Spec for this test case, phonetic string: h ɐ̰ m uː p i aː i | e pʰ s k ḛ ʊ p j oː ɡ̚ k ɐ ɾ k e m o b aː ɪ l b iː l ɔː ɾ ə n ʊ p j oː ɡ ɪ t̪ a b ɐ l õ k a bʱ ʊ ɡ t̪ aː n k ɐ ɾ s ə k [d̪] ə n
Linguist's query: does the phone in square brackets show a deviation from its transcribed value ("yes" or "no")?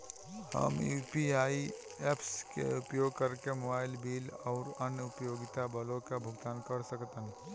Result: yes